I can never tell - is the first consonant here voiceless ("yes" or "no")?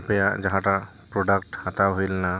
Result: yes